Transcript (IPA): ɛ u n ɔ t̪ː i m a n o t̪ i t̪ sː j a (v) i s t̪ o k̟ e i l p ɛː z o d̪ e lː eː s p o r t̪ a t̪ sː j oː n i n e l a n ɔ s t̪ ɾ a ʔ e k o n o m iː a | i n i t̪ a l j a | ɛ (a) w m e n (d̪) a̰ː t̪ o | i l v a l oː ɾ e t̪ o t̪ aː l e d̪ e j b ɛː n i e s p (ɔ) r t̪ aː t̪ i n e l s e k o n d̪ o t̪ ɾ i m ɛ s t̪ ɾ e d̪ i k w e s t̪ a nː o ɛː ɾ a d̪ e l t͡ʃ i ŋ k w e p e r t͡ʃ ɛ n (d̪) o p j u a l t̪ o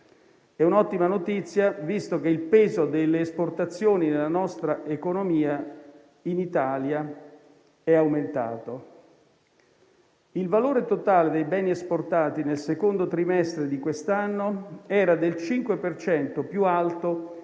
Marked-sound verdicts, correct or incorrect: correct, correct, incorrect: t̪, incorrect: o, incorrect: t̪

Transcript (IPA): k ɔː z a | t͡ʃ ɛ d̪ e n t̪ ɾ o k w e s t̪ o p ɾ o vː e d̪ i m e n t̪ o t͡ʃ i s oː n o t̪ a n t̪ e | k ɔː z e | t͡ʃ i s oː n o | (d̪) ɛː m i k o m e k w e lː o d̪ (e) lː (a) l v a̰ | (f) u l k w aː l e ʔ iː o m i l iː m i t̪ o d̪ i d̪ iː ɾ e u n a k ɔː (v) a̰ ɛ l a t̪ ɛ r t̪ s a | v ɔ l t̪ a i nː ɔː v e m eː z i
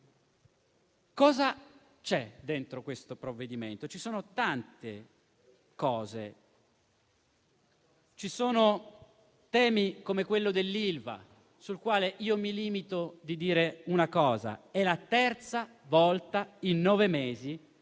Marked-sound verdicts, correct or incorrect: incorrect: t̪, correct, incorrect: i, incorrect: s, incorrect: z

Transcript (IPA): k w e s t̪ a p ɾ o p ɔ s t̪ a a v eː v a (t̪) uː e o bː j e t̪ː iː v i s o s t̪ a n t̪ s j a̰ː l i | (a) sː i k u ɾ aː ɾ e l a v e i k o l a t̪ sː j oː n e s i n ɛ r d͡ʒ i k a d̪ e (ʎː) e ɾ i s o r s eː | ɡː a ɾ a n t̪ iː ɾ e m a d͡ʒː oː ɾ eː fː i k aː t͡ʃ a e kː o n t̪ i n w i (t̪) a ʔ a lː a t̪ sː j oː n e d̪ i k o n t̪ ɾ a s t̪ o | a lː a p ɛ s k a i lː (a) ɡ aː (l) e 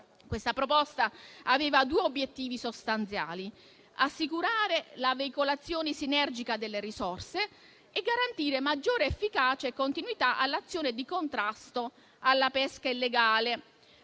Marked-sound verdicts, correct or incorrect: incorrect: d̪, correct, incorrect: lː, correct, incorrect: e, correct

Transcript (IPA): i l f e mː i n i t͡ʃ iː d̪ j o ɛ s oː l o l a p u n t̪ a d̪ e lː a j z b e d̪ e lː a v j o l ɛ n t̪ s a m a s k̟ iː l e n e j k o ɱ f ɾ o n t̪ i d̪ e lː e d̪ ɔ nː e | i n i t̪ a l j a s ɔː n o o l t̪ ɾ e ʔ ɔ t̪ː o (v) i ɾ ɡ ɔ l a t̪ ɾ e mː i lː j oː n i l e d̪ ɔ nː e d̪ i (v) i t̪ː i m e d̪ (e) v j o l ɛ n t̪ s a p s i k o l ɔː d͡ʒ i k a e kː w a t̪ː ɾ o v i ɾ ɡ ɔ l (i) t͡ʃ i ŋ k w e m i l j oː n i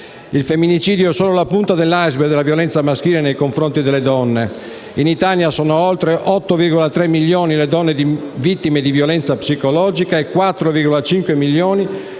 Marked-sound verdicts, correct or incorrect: correct, correct, incorrect: i, incorrect: a

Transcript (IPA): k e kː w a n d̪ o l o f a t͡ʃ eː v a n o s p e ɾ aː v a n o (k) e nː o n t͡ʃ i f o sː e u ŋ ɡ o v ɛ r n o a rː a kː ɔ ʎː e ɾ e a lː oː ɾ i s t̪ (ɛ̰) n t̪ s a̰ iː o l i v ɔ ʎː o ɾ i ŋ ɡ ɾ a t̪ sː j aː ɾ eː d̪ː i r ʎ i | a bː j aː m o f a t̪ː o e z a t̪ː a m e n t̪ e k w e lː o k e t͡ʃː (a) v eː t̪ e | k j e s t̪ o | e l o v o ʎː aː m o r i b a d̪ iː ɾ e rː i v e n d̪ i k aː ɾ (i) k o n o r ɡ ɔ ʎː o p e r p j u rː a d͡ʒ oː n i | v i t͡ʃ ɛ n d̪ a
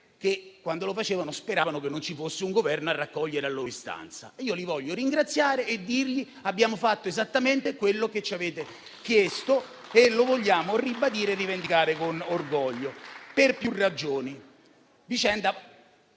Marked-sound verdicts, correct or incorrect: correct, incorrect: a̰, correct, incorrect: e

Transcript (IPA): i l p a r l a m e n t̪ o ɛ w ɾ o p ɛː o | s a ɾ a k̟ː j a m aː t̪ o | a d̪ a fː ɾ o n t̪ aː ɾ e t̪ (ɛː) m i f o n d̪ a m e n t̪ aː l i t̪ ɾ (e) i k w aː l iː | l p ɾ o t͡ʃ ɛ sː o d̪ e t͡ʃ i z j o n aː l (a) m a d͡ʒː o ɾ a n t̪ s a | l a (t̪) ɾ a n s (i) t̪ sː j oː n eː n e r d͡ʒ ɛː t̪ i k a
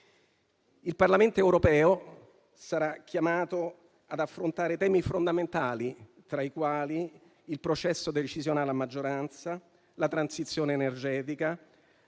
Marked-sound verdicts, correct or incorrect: correct, incorrect: a, correct, correct, correct

